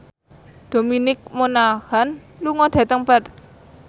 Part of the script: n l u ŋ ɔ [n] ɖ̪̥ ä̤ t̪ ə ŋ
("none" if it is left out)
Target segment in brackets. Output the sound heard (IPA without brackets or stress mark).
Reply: none